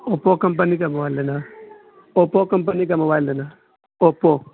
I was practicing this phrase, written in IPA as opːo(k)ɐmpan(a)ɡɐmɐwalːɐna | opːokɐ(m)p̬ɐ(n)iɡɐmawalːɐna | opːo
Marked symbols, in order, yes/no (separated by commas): yes, no, yes, yes